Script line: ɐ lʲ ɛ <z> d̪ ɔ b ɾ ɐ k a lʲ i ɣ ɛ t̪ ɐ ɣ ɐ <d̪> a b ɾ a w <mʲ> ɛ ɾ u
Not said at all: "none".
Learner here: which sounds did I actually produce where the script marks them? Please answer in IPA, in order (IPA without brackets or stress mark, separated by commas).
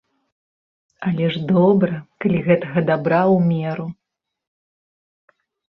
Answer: ʐ, d̪, mʲ